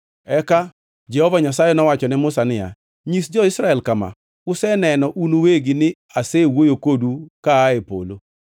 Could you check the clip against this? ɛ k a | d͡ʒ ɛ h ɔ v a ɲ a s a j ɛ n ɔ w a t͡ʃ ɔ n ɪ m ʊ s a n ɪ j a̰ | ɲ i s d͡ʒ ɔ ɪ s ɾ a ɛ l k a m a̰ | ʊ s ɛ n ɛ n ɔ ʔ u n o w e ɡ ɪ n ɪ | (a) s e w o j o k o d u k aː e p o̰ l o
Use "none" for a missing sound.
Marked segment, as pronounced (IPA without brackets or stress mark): a